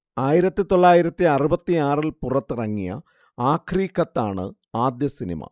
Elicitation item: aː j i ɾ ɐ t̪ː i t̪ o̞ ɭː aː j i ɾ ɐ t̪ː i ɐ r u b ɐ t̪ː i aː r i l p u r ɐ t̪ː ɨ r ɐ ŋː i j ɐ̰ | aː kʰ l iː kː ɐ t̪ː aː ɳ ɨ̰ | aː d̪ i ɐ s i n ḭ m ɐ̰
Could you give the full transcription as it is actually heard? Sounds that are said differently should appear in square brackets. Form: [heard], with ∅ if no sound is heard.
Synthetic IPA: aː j i ɾ ɐ t̪ː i t̪ o̞ ɭː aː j i ɾ ɐ t̪ː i ɐ r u b ɐ t̪ː i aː r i l p u r ɐ t̪ː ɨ r ɐ ŋː i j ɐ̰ | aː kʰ [r] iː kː ɐ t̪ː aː ɳ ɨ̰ | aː d̪ [j] ɐ s i n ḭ m ɐ̰